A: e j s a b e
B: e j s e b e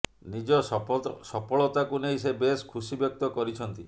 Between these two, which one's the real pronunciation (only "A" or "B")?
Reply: B